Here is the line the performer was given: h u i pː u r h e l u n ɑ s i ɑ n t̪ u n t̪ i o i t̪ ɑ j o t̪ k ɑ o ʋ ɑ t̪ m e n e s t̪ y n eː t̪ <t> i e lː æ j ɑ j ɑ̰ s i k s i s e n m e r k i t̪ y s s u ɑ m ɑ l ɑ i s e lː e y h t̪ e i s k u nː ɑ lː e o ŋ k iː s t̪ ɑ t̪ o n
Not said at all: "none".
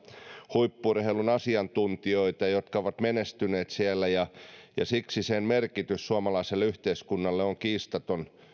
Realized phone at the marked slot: s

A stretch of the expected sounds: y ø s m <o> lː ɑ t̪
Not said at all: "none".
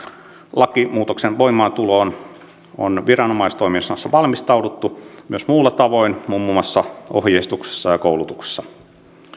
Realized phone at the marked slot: u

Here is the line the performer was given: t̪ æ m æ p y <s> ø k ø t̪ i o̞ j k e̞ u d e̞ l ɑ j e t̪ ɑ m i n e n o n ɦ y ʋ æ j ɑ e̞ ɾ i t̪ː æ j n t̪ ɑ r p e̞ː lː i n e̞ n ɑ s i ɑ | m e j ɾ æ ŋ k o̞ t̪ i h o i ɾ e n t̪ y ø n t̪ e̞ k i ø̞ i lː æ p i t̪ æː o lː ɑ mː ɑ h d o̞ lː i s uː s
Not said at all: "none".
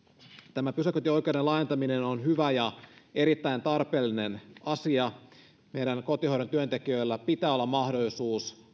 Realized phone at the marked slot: s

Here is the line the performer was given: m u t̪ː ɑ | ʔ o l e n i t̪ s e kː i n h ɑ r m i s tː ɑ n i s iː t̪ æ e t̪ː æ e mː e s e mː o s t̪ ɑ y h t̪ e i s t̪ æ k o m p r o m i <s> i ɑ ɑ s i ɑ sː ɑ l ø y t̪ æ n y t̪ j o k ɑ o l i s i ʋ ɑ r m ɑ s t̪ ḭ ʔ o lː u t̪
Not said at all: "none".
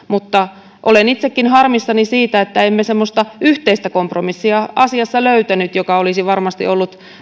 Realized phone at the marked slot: sː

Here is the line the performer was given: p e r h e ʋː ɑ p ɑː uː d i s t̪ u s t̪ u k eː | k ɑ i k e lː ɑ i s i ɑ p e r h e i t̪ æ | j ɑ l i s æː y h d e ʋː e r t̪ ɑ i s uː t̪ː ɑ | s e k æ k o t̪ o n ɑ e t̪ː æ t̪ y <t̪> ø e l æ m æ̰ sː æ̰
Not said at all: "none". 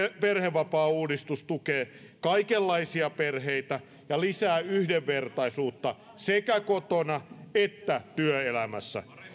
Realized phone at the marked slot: none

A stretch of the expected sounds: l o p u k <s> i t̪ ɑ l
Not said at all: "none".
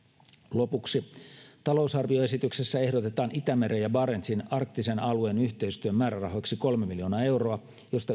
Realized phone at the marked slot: s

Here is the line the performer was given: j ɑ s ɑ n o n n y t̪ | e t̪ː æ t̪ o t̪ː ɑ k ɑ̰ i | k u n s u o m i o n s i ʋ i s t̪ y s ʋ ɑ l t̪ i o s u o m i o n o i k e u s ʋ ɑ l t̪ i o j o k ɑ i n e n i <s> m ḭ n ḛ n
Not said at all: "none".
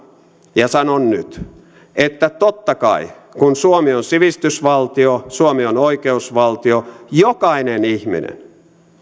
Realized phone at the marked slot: h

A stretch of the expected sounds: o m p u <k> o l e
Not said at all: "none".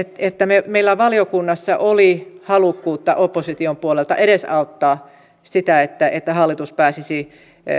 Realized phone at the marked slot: none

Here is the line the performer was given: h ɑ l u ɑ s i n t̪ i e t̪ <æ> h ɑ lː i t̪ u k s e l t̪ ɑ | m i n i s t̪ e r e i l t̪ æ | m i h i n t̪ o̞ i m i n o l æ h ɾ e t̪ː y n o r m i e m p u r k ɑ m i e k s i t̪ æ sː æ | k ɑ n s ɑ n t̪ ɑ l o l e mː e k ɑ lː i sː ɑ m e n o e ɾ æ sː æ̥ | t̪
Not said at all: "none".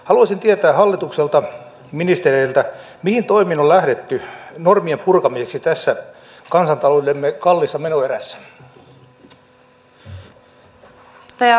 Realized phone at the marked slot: æː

